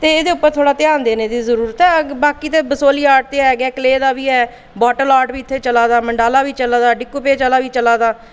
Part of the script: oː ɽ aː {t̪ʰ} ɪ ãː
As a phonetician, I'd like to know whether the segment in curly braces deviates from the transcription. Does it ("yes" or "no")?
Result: yes